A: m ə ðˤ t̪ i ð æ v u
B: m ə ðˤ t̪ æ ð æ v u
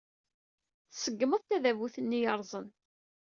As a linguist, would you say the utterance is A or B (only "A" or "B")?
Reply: B